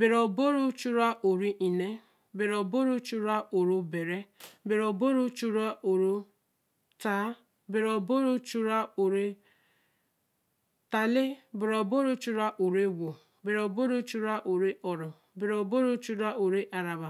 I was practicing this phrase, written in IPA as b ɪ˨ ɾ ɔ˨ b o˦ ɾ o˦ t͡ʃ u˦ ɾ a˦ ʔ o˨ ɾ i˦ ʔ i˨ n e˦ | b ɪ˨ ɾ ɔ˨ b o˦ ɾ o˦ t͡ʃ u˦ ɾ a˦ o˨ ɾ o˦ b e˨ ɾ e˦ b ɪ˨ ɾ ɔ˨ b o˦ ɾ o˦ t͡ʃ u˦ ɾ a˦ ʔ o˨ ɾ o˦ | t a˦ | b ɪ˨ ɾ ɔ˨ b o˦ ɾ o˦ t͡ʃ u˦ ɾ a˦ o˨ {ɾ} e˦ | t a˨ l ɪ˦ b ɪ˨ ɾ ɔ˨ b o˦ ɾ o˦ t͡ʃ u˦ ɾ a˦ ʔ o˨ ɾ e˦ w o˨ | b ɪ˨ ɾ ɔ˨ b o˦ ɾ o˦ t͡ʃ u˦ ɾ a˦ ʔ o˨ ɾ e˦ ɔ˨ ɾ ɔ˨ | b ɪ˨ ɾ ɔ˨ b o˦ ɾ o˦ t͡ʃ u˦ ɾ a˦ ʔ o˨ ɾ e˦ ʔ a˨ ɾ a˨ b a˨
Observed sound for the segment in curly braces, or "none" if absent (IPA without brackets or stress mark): ɾ